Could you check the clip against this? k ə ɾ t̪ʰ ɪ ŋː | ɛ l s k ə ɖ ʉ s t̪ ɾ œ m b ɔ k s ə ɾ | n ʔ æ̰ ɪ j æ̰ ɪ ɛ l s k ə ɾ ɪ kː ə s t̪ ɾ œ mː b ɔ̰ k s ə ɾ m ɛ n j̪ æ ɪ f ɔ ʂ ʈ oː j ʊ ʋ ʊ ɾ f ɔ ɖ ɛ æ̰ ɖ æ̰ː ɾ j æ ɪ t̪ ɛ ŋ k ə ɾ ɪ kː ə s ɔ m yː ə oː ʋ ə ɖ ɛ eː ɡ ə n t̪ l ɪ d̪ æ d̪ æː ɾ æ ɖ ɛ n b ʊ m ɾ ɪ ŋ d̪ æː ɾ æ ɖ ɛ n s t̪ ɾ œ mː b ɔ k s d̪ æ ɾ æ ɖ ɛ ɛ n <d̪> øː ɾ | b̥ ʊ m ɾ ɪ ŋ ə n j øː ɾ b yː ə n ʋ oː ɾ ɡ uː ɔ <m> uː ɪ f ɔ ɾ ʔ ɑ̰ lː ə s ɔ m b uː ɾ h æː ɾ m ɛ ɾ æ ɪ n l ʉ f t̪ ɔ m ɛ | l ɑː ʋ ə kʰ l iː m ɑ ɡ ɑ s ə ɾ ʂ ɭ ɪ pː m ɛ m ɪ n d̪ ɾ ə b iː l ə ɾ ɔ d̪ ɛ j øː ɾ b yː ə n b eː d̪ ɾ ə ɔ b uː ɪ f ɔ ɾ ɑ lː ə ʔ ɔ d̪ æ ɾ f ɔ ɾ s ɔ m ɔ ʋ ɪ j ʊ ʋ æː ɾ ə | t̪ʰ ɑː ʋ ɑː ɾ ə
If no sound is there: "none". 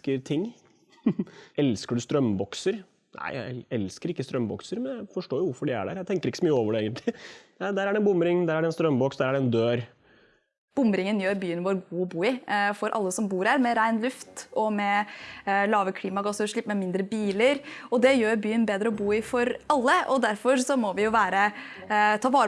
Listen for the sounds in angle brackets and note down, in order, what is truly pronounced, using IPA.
d̪, b

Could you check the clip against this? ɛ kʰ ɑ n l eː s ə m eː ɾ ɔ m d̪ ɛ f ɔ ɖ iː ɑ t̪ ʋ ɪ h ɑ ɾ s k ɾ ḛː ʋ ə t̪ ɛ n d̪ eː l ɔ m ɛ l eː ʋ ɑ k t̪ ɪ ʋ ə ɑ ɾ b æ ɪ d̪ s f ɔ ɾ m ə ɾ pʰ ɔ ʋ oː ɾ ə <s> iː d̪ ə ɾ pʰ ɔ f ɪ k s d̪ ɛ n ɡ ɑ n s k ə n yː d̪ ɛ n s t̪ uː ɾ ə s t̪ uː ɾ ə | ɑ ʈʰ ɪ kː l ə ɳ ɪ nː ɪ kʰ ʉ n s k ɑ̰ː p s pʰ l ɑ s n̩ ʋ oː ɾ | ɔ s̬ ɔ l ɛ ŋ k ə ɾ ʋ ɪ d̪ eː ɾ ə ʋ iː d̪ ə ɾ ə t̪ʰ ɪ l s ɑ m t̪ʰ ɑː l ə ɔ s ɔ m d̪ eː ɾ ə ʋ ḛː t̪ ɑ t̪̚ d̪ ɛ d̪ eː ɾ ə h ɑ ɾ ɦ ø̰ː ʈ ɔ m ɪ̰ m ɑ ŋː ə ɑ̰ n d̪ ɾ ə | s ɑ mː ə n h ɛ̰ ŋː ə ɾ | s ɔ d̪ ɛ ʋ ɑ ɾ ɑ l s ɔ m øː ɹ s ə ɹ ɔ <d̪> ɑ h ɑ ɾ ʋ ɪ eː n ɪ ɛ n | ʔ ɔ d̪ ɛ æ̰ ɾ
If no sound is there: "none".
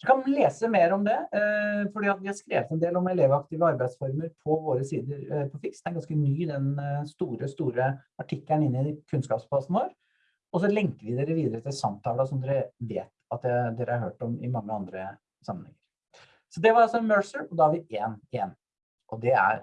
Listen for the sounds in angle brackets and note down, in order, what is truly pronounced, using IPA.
s, d̪

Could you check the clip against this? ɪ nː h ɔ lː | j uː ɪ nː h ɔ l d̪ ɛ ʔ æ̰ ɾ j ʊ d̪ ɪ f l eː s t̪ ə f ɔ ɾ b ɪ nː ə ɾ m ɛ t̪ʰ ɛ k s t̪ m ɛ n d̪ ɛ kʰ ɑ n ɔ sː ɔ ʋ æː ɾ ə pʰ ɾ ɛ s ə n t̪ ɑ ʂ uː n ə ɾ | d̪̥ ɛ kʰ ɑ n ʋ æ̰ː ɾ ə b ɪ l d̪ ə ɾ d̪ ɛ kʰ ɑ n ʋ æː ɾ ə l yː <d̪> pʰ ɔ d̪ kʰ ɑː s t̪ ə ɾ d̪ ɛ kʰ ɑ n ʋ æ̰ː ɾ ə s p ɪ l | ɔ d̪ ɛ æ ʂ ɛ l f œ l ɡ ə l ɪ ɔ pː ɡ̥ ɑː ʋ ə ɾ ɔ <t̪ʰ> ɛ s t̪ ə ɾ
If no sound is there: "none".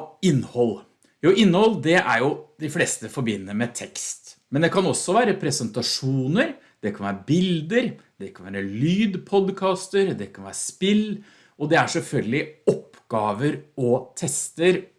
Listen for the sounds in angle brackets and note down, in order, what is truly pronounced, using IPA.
d̪, t̪ʰ

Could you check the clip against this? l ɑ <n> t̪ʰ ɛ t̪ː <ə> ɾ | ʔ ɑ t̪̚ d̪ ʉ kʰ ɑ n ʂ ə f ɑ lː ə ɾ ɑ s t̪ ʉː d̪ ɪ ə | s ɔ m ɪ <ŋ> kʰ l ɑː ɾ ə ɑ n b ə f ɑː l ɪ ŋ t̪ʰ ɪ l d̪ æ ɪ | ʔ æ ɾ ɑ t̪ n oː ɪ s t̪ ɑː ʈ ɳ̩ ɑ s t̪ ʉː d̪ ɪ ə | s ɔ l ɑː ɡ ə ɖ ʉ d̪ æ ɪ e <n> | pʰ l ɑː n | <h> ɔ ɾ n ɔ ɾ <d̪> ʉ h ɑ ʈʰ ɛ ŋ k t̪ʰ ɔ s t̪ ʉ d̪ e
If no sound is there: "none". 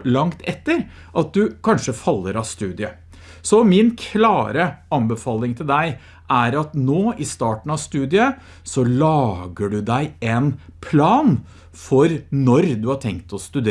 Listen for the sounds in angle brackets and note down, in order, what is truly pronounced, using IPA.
ŋ, ə, n, n, f, d̪

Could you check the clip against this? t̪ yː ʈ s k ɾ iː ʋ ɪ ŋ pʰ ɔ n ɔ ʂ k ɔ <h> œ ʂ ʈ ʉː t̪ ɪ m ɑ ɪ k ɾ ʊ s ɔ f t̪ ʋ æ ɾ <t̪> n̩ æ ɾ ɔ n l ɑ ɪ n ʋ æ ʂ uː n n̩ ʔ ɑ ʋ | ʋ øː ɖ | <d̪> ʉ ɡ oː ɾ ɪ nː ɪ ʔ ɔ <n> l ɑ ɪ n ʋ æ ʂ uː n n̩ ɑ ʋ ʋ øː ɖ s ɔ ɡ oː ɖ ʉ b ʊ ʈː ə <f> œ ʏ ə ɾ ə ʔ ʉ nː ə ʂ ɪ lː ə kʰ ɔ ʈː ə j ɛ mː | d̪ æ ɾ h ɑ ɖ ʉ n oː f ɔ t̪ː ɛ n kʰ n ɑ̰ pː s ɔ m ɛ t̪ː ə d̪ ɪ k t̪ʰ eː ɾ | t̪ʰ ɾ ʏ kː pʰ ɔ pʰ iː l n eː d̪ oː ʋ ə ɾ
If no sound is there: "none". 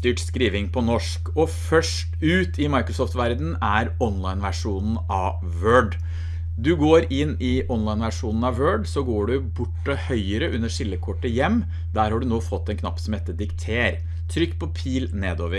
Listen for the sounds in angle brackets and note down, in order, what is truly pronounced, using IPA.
f, d̪, d̪, n, h

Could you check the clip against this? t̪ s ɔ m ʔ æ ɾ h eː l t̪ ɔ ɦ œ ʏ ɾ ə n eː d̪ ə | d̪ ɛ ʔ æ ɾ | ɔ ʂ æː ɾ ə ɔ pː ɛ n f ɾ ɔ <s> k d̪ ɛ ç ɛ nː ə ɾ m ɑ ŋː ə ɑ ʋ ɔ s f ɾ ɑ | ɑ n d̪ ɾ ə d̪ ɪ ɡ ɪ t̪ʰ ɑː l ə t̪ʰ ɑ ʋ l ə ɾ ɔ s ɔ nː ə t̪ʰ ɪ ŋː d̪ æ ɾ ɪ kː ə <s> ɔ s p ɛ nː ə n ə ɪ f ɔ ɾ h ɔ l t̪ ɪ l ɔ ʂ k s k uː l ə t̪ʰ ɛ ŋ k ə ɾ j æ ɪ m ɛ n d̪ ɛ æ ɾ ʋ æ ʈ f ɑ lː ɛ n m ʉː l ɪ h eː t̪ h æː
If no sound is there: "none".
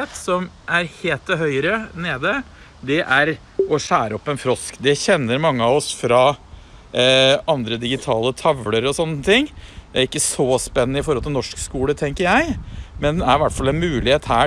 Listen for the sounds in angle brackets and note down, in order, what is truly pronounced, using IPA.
s, s

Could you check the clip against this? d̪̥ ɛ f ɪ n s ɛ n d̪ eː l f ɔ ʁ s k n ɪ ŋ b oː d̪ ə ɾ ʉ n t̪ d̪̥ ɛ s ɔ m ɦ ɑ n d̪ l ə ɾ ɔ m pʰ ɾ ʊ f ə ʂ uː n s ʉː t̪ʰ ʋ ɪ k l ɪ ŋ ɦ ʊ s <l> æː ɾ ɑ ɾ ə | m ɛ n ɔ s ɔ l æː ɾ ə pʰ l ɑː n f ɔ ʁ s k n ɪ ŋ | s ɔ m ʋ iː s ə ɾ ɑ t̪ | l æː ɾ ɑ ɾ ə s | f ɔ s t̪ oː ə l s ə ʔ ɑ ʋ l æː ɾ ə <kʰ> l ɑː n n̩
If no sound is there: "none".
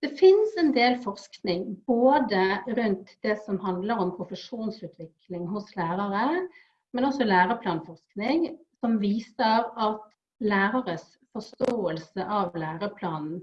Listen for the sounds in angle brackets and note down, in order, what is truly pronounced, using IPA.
l, pʰ

